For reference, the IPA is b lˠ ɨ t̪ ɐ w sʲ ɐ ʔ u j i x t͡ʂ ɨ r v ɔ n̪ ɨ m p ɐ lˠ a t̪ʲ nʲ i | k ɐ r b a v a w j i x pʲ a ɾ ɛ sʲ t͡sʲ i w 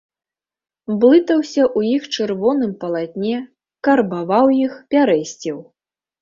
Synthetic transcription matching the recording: b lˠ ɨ t̪ ɐ w sʲ ɐ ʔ u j i x t͡ʂ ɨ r v ɔ n̪ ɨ m p ɐ lˠ a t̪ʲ nʲ ɛ | k ɐ r b a v a w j i x pʲ a ɾ ɛ sʲ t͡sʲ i w